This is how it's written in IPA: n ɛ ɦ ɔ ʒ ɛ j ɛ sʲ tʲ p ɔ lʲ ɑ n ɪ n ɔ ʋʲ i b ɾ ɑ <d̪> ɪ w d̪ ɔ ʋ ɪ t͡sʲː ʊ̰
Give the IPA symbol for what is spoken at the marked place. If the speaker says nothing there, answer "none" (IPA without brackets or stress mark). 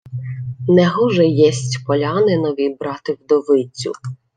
t̪